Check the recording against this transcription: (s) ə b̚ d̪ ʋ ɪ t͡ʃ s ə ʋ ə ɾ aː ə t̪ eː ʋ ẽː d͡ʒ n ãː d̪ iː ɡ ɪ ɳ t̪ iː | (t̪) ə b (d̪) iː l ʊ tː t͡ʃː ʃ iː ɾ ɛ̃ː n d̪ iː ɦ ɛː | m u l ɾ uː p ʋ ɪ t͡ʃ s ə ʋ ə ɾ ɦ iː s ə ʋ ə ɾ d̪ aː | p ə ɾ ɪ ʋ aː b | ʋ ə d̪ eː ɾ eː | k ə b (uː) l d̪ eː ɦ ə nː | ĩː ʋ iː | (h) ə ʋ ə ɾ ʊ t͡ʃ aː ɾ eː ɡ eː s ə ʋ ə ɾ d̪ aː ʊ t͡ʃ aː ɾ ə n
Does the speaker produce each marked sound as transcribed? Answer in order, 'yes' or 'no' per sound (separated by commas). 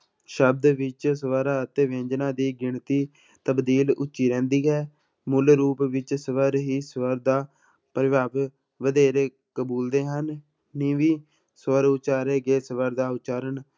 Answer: no, yes, yes, yes, no